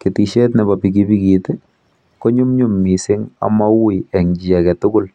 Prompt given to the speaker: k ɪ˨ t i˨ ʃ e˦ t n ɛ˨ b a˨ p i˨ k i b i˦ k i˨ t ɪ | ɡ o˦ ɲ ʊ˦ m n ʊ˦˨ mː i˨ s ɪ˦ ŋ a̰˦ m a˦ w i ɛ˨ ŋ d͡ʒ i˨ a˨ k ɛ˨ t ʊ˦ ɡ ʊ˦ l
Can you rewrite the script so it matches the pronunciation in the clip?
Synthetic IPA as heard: k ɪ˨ t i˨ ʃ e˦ t n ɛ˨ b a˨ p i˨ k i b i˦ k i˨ t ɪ | k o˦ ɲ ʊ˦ m ɲ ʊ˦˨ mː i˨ s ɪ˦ ŋ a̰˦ m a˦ w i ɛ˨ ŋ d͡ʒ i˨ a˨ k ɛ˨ t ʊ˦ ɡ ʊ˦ l